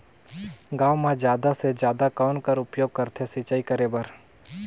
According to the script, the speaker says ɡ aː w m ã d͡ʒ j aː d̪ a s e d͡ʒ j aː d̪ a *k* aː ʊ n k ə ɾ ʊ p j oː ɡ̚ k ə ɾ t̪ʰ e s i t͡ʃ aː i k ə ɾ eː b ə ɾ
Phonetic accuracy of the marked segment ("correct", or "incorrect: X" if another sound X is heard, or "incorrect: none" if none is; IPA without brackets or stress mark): correct